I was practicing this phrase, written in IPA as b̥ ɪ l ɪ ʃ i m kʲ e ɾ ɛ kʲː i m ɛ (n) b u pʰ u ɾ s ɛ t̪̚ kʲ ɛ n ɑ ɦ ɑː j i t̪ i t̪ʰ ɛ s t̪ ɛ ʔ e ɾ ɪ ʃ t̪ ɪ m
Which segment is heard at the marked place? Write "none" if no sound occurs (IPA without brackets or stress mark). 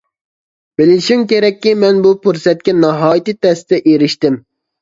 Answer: n